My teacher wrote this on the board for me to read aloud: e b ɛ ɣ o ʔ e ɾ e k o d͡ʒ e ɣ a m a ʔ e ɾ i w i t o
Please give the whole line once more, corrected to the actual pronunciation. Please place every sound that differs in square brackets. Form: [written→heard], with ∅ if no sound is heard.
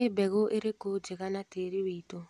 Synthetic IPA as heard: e b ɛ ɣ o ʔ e ɾ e k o d͡ʒ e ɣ a [m→n] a [ʔ→t] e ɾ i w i t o